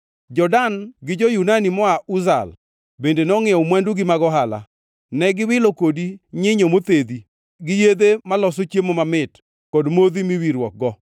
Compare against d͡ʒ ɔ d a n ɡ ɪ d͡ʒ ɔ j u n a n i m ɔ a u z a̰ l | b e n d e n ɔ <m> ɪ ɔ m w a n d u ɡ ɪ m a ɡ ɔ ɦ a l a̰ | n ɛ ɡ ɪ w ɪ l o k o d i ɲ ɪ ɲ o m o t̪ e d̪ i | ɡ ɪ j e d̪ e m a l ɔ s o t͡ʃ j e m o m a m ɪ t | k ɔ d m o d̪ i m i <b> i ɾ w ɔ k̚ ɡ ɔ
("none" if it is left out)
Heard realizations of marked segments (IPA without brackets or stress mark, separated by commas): ŋ, w